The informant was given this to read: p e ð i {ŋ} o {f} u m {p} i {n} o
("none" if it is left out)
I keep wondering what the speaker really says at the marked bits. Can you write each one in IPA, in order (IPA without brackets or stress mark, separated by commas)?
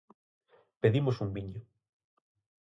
m, s, b, ɲ